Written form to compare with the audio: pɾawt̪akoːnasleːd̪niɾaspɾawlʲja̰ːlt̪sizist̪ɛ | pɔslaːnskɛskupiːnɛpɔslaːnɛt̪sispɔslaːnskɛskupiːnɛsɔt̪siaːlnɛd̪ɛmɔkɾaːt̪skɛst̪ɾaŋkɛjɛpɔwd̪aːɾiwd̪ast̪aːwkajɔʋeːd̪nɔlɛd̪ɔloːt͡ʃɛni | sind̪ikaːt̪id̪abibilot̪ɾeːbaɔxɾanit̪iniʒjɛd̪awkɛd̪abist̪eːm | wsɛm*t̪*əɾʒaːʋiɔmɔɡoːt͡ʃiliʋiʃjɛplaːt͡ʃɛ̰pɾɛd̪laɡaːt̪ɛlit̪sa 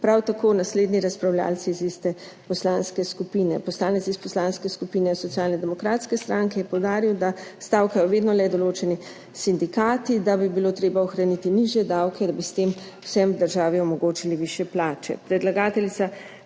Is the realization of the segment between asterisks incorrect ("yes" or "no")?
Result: yes